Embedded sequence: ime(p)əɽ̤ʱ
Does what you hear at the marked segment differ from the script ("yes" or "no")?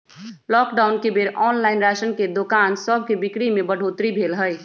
yes